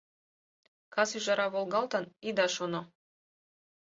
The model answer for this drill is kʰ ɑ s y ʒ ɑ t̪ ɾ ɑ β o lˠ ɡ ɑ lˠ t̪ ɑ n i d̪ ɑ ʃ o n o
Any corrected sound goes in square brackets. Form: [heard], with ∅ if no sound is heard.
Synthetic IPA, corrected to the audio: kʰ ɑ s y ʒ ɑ [∅] ɾ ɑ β o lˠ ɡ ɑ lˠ t̪ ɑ n i d̪ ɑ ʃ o n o

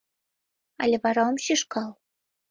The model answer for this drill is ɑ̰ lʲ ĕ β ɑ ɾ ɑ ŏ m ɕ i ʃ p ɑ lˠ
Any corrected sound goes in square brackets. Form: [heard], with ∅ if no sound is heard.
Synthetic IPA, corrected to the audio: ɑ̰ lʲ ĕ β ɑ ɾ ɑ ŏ m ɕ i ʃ [k] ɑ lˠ

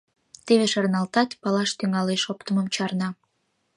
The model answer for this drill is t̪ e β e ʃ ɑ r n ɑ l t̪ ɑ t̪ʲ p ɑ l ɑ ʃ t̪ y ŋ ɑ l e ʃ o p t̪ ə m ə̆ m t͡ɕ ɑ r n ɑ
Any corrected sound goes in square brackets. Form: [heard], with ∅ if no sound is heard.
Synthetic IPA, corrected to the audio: t̪ e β e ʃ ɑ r n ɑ l t̪ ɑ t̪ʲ p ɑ l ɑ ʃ t̪ y ŋ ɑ l e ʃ o p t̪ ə m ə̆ m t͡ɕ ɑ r n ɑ

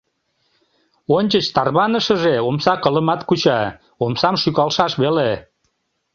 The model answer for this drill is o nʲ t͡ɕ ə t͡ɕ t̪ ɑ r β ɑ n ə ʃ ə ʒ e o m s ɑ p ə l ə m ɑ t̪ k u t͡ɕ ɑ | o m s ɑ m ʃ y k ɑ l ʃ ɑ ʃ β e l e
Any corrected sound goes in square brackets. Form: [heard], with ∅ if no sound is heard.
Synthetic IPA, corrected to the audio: o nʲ t͡ɕ ə t͡ɕ t̪ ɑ r β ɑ n ə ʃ ə ʒ e o m s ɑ [k] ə l ə m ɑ t̪ k u t͡ɕ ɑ | o m s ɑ m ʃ y k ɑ l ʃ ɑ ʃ β e l e

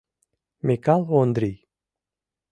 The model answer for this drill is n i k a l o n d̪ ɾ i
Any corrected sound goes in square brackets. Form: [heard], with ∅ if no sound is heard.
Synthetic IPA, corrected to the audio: [m] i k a l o n d̪ ɾ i

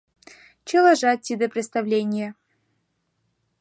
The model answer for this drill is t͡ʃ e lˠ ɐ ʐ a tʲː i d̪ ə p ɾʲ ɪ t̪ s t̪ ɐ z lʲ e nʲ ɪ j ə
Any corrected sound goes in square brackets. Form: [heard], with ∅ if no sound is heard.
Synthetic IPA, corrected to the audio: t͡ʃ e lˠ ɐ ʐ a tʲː i d̪ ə p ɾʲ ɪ t̪ s t̪ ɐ [v] lʲ e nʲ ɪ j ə

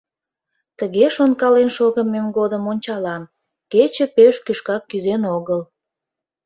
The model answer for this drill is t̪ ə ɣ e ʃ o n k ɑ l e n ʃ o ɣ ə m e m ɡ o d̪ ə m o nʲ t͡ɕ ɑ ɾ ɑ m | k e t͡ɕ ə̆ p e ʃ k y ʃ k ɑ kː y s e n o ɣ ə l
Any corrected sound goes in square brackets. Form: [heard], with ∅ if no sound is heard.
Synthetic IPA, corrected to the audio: t̪ ə ɣ e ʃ o n k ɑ l e n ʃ o ɣ ə m e m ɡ o d̪ ə m o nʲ t͡ɕ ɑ [l] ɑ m | k e t͡ɕ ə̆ p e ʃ k y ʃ k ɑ kː y [z] e n o ɣ ə l

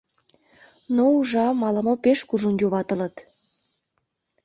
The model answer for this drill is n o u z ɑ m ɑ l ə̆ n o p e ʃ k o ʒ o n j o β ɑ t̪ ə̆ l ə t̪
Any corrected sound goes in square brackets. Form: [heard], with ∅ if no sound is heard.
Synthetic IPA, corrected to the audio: n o u [ʒ] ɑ m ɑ l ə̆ [m] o p e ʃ k [u] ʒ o n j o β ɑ t̪ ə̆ l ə t̪

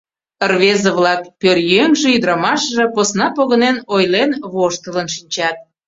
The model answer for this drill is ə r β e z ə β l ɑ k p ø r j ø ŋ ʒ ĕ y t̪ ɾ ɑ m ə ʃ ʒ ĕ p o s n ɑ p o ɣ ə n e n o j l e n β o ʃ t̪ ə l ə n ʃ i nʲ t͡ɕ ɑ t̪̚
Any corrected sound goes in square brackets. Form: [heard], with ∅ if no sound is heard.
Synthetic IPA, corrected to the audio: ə r β e z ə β l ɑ k p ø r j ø ŋ ʒ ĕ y [d̪] ɾ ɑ m [ɑ] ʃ ʒ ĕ p o s n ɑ p o ɣ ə n e n o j l e n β o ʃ t̪ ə l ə n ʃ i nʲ t͡ɕ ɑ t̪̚

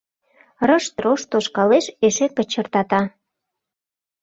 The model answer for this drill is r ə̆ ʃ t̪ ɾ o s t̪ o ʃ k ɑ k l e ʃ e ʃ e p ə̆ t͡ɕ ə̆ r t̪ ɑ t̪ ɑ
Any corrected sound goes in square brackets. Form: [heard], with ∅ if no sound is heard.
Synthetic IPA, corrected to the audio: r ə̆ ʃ t̪ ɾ o [ʃ] t̪ o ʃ k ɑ [∅] l e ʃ e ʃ e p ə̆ t͡ɕ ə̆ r t̪ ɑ t̪ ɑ

